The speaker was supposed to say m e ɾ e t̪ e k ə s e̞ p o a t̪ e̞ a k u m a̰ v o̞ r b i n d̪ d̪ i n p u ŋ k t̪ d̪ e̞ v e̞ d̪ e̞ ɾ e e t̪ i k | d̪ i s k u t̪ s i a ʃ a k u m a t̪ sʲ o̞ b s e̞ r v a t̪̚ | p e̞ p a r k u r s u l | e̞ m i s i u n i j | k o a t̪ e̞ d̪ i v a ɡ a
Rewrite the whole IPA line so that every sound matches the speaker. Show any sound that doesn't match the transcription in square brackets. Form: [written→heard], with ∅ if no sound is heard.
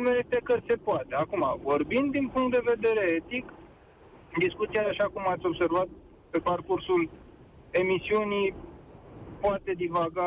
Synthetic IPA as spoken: m e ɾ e t̪ e k ə s e̞ p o a t̪ e̞ a k u m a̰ v o̞ r b i n d̪ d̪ i n p u ŋ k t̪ d̪ e̞ v e̞ d̪ e̞ ɾ e e t̪ i k | d̪ i s k u t̪ s i a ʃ a k u m a t̪ sʲ o̞ b s e̞ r v a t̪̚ | p e̞ p a r k u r s u l | e̞ m i s i u n i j | [k→p] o a t̪ e̞ d̪ i v a ɡ a